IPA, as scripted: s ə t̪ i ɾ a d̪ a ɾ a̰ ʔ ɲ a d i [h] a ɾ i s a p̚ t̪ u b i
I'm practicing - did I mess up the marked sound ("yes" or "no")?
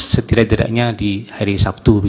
no